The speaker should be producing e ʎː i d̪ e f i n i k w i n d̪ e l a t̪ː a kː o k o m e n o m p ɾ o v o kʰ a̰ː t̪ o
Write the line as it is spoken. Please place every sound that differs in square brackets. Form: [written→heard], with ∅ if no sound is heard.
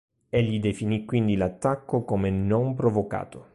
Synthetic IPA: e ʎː i d̪ e f i n i k w i n d̪ [e→i] l a t̪ː a kː o k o m e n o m p ɾ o v o [kʰ→k] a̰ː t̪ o